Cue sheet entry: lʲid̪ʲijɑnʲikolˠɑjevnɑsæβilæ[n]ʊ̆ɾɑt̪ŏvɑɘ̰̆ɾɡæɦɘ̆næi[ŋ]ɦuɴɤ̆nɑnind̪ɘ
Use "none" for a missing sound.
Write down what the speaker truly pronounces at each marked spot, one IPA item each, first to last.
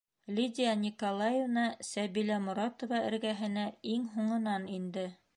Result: m, ŋ

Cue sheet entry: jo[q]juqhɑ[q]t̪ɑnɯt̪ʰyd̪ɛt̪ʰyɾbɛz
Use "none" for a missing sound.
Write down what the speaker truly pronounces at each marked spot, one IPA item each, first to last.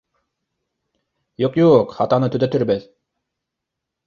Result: q, none

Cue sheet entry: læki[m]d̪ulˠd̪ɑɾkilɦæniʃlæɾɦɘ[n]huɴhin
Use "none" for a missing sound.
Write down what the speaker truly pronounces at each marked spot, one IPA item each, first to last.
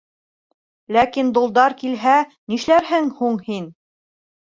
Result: n, ŋ

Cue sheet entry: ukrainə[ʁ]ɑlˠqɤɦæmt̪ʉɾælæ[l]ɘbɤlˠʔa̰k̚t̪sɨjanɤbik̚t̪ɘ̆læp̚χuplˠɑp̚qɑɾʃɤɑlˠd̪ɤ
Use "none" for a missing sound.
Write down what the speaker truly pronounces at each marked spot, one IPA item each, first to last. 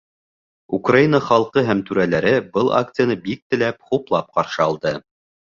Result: χ, ɾ

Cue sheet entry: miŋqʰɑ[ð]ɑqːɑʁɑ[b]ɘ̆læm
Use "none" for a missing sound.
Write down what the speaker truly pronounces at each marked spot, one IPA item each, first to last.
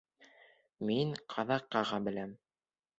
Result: ð, b

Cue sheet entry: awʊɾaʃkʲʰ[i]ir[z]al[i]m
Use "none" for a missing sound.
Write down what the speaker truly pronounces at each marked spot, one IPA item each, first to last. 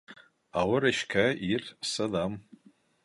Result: a, s, a

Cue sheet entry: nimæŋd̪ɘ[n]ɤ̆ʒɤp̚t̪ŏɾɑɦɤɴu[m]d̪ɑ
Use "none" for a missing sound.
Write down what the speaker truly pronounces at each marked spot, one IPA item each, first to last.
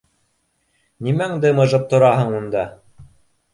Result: m, n

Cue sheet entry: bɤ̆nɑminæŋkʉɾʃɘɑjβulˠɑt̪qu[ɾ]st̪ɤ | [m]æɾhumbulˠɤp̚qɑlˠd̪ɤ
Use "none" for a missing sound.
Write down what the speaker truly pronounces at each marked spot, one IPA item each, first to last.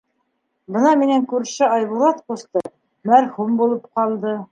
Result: none, m

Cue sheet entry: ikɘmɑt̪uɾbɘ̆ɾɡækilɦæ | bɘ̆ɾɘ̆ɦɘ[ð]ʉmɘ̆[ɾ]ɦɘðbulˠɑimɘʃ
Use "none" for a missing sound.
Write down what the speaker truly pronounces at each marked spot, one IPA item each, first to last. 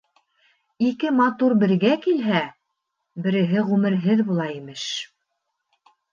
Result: ʁ, ɾ

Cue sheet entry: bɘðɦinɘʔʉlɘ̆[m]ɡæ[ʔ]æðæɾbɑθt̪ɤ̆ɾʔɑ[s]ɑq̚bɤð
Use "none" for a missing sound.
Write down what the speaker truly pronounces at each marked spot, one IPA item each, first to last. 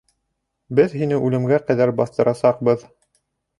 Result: m, q, s

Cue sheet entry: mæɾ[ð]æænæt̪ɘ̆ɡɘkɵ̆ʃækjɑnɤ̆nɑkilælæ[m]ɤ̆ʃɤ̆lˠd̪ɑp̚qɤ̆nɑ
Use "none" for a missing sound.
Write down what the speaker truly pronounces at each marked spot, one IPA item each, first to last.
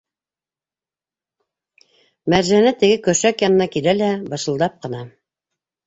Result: ʒ, b

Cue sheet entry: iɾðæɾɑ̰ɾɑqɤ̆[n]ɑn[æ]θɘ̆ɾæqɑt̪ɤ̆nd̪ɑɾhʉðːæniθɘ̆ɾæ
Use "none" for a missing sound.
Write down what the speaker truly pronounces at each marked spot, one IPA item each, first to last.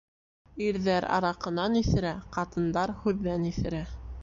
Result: n, i

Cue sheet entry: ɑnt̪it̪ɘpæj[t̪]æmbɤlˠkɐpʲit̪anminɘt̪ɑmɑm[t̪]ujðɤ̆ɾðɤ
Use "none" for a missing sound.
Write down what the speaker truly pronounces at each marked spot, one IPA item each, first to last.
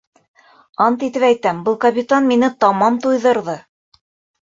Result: t̪, t̪

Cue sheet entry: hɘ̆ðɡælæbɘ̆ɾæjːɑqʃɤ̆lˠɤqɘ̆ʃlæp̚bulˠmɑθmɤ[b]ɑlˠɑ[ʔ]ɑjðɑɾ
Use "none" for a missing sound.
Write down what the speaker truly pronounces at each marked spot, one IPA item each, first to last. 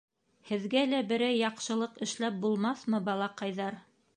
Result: b, q

